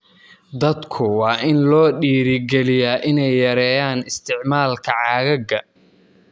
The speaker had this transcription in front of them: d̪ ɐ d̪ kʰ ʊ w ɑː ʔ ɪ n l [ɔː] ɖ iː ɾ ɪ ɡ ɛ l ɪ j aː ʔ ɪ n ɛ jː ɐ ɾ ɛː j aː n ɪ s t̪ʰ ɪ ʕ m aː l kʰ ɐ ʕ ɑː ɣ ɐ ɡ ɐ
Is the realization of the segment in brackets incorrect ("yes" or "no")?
no